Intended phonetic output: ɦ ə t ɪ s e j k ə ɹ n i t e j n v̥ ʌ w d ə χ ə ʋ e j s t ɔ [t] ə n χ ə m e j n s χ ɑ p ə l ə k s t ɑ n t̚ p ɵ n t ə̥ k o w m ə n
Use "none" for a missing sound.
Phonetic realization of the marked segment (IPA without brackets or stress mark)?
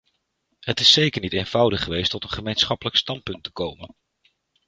t